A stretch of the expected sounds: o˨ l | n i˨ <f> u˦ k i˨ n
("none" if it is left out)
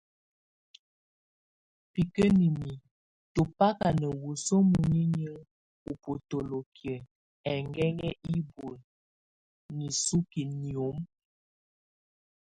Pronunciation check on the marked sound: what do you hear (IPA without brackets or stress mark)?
s